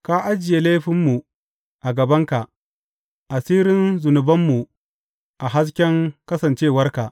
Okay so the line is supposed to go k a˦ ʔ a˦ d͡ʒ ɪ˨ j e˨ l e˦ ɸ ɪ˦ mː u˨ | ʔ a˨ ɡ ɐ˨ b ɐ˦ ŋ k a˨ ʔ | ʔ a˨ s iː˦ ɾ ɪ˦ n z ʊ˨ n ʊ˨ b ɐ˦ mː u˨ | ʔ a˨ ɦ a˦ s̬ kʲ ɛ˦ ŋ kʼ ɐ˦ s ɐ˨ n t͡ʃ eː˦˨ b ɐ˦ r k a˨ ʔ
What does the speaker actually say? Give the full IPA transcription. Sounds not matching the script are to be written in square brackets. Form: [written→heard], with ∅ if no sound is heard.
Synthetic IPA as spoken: k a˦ ʔ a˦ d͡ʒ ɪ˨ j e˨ l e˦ ɸ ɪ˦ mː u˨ | ʔ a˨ ɡ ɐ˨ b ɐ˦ ŋ k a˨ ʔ | ʔ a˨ s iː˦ ɾ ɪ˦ n z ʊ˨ n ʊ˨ b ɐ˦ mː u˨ | ʔ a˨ ɦ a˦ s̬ kʲ ɛ˦ ŋ [kʼ→k] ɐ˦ s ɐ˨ n t͡ʃ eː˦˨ [b→w] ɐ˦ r k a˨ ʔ